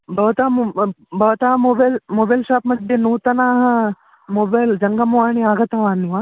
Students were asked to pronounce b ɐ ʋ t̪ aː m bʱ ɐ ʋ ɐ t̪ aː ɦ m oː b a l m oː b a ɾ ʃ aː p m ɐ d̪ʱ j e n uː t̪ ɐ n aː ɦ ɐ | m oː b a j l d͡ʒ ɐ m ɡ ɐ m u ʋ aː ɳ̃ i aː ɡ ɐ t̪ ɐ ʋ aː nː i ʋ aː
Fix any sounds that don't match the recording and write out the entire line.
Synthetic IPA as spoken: b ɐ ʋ t̪ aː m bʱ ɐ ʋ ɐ t̪ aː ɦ m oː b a l m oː b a l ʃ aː p m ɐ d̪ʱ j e n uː t̪ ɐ n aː ɦ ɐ | m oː b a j l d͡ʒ ɐ ŋ ɡ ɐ m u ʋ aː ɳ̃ i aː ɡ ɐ t̪ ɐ ʋ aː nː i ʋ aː